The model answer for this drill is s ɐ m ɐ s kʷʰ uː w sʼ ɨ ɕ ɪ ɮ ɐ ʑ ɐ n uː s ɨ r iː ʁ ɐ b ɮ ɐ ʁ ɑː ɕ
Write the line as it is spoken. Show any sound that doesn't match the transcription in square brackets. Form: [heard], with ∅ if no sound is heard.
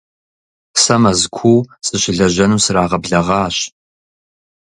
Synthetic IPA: s ɐ m ɐ [z] kʷʰ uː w sʼ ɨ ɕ ɪ ɮ ɐ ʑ ɐ n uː s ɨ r [aː] ʁ ɐ b ɮ ɐ ʁ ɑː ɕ